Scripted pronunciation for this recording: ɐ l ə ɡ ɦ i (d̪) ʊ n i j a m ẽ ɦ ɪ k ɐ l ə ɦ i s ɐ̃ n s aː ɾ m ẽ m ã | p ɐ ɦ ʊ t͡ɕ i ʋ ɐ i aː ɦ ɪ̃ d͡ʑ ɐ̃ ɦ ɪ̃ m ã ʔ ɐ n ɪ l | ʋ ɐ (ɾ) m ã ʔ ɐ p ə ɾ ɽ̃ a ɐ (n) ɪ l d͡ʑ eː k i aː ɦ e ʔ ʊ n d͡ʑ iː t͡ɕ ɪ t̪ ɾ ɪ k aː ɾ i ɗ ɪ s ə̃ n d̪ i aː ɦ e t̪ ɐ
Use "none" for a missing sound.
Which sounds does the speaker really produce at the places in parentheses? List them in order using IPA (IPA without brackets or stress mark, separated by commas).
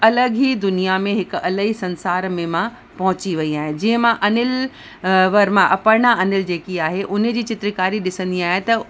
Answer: d̪, ɾ, n